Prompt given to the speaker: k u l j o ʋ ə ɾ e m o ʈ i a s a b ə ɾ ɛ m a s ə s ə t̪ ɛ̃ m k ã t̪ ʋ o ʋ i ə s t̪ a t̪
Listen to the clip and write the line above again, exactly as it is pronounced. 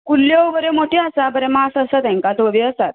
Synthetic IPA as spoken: k u l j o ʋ ə ɾ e m o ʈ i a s a b ə ɾ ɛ m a s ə s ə t̪ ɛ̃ ŋ k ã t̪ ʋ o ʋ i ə s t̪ a t̪